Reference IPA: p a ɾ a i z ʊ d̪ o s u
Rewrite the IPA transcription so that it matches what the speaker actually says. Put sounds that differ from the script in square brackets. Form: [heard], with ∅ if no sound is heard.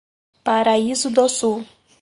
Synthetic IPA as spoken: p a ɾ a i z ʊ d̪ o s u